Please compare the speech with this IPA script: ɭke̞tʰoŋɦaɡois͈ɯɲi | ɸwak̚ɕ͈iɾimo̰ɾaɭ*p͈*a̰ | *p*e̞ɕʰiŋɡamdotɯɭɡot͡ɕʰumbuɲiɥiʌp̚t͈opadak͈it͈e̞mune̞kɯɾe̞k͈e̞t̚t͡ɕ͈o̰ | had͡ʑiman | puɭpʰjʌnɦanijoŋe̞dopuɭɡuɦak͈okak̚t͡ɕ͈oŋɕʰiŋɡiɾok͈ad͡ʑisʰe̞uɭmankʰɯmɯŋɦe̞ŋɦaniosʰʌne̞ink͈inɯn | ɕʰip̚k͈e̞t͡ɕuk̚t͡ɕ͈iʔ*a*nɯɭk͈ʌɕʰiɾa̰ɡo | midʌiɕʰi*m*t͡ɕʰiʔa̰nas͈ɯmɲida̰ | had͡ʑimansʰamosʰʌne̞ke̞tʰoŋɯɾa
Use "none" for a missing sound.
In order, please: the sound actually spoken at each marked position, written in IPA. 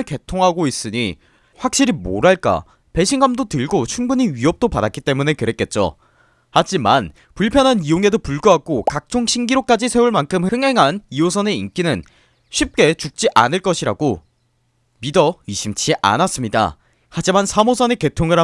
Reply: k͈, p, a, m

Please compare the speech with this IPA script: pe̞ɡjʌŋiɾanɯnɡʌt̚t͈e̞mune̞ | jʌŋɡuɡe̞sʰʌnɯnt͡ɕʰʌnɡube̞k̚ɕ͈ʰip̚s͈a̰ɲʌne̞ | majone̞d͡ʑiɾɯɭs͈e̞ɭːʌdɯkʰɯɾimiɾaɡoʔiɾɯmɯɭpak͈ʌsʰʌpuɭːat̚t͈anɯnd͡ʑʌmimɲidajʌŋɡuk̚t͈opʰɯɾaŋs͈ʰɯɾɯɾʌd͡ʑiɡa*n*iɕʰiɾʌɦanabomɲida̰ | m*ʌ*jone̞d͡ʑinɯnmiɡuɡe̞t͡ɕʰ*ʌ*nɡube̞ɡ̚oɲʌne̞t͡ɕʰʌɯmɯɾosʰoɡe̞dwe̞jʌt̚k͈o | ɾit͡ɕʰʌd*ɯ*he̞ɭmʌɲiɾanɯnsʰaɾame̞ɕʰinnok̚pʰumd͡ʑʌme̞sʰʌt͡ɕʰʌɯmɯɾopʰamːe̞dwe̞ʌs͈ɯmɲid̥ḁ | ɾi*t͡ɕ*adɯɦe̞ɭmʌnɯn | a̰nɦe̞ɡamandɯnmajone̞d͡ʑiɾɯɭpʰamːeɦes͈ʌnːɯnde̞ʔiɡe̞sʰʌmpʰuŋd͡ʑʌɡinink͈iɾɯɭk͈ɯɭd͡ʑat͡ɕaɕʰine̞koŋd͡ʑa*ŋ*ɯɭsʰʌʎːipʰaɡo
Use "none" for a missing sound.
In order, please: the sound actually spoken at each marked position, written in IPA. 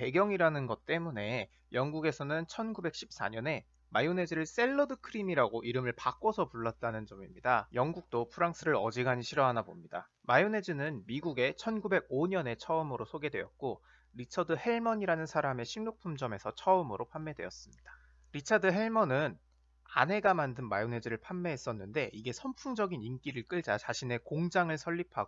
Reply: ɲ, a, ʌ, ɯ, t͡ɕʰ, ŋ

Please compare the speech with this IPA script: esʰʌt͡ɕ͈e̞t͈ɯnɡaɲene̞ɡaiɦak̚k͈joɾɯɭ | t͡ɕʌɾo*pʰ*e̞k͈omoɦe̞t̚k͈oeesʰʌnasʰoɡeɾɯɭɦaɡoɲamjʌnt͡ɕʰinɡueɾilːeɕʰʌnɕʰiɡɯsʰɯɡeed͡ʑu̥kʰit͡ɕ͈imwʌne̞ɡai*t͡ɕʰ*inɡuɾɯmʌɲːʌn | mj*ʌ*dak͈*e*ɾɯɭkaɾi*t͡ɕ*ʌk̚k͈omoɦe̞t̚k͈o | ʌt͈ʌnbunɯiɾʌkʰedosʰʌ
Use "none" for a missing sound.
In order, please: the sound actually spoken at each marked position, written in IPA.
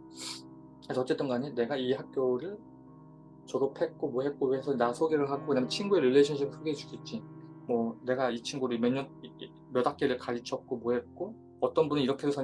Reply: pʰ, t͡ɕʰ, ʌ, e, t͡ɕʰ

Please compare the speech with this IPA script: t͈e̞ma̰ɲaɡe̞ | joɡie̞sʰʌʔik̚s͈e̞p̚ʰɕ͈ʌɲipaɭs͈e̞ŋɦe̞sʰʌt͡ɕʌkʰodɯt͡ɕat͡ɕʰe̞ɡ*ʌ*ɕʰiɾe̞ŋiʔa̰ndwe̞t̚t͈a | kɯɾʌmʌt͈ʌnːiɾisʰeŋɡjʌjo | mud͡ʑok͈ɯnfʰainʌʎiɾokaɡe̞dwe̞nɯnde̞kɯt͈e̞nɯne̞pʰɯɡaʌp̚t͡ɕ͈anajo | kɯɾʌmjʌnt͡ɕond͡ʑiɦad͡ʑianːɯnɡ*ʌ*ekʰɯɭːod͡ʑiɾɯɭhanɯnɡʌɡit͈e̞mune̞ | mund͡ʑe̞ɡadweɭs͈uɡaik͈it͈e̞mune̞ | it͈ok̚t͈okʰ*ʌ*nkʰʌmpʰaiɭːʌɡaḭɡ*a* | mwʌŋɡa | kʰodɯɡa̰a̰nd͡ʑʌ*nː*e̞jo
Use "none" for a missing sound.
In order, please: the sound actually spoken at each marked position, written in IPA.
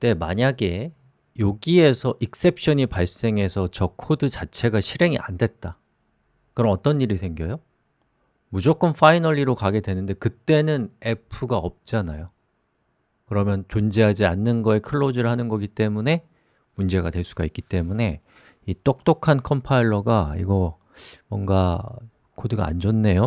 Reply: a, ʌ, a, ʌ, nː

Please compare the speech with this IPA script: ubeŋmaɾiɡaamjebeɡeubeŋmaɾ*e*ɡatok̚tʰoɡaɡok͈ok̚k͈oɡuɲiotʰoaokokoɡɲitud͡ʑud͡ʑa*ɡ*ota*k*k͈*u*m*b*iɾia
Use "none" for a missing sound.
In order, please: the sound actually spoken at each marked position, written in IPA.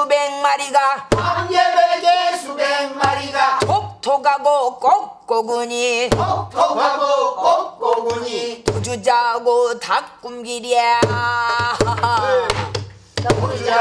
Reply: i, ɡ, k, u, ɡ

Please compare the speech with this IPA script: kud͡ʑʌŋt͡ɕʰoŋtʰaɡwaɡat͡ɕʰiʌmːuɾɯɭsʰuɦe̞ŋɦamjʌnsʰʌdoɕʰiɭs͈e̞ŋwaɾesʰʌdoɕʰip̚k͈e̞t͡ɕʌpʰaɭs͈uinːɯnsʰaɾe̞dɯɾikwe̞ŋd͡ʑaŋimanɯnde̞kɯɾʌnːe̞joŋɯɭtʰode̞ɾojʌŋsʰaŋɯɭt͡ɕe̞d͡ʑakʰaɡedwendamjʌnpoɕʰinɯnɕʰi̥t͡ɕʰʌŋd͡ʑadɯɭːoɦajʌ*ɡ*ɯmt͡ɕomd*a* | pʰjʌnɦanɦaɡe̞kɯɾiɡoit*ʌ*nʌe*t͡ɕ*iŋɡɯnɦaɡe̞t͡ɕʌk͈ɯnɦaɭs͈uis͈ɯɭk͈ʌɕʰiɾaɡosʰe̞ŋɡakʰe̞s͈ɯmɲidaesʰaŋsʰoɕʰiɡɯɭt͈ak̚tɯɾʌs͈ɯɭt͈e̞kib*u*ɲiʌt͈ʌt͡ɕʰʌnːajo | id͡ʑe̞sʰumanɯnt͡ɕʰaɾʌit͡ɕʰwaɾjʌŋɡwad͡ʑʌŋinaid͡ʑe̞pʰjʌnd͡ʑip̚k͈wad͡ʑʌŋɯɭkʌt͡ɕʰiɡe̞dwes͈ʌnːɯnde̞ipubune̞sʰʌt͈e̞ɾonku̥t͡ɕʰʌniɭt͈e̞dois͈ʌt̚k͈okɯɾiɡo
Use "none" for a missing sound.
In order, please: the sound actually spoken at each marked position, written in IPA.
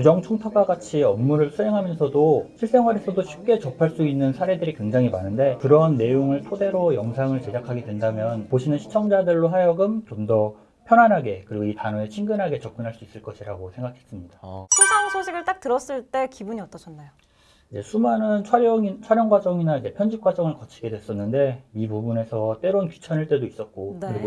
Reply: ɡ, ʌ, a, t͡ɕʰ, u

